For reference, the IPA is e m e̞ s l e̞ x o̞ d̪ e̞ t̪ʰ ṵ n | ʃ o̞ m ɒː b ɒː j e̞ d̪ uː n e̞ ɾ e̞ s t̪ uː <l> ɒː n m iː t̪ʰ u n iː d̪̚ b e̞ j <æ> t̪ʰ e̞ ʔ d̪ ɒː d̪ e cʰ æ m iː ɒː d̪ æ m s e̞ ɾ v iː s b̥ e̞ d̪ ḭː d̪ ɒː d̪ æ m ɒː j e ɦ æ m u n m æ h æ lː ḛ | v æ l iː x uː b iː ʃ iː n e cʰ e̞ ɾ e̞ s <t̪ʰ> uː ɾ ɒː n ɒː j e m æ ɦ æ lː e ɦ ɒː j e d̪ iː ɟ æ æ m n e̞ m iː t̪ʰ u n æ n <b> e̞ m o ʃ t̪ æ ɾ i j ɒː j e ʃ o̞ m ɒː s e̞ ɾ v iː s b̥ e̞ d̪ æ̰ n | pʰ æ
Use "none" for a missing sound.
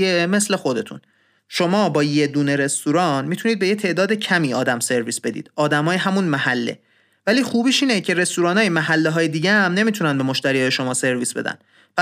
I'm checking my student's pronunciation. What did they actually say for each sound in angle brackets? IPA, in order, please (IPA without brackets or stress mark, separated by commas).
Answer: ɾ, e, t̪, b